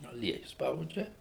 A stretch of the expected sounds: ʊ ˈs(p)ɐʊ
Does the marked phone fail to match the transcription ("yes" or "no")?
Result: no